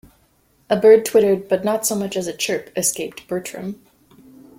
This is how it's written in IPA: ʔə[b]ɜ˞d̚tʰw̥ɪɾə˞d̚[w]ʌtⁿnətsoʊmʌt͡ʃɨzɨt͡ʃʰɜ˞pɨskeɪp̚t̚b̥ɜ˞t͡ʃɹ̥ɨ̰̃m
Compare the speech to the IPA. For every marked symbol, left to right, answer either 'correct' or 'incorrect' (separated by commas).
correct, incorrect